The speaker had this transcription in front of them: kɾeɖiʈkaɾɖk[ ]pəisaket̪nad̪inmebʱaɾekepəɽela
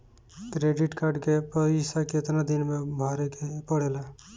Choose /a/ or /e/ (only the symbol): e